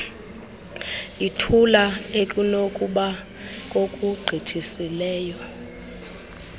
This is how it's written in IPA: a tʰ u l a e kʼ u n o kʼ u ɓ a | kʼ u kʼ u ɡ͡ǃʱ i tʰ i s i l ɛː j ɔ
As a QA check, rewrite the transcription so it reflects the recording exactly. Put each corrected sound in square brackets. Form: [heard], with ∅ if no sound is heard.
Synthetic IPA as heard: [i] tʰ u l a e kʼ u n o kʼ u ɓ a | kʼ [o] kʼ u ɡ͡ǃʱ i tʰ i s i l ɛː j ɔ